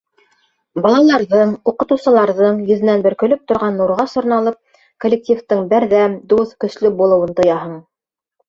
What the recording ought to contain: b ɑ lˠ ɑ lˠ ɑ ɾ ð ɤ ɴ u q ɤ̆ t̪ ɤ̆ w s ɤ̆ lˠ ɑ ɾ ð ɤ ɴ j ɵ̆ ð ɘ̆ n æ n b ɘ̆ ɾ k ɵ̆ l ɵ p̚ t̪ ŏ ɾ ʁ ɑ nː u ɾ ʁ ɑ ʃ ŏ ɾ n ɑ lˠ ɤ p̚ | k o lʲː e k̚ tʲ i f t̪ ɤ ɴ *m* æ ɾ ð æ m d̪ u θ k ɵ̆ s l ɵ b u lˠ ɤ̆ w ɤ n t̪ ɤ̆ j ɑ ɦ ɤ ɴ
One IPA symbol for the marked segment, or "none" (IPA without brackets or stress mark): b